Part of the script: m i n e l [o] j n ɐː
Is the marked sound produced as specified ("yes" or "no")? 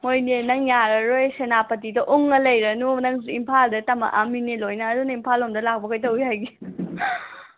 yes